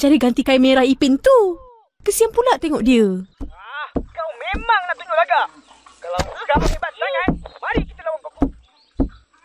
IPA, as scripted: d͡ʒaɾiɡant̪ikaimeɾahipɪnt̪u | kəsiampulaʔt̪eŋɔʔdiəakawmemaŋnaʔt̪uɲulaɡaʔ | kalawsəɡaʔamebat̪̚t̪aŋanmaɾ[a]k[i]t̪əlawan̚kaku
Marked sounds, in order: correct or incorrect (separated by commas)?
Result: incorrect, correct